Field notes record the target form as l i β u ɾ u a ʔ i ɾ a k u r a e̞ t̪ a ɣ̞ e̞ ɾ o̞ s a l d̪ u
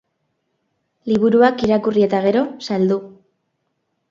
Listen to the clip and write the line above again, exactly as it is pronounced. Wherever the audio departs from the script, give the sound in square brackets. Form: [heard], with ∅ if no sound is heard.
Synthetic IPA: l i β u ɾ u a [k] i ɾ a k u r [i] e̞ t̪ a ɣ̞ e̞ ɾ o̞ s a l d̪ u